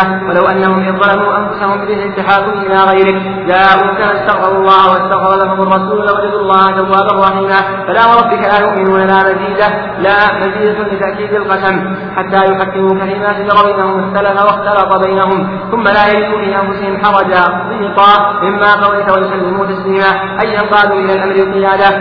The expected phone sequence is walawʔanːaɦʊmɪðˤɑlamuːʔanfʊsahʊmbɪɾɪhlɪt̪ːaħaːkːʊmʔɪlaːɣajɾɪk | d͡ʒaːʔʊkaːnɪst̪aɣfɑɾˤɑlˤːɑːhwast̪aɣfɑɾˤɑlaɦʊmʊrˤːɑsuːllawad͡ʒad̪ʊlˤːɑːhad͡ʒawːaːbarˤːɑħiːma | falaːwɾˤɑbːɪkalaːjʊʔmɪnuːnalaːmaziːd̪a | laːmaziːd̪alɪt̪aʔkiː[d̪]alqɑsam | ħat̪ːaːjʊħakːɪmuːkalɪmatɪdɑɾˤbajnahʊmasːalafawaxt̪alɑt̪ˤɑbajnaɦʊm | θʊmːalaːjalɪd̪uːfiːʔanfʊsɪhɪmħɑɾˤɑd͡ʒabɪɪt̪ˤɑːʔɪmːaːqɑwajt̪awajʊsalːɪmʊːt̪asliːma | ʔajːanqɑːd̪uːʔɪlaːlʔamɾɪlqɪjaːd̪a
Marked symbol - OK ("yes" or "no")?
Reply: yes